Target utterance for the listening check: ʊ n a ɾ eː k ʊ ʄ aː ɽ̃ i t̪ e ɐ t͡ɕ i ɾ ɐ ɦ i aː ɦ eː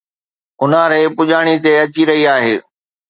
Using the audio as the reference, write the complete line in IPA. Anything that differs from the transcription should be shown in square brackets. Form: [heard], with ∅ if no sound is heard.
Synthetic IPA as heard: ʊ n a ɾ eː [p] ʊ ʄ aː ɽ̃ i t̪ e ɐ t͡ɕ i ɾ ɐ ɦ i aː ɦ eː